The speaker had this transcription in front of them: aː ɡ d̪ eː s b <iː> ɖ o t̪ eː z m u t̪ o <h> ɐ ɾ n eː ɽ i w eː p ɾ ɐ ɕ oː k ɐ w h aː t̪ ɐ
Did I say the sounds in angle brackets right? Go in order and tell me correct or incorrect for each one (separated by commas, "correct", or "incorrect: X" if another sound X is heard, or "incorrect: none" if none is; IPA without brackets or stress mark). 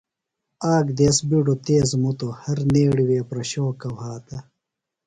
incorrect: i, correct